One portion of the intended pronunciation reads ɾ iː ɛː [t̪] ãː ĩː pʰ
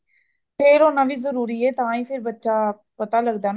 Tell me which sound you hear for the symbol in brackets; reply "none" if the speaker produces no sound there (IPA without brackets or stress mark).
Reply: t̪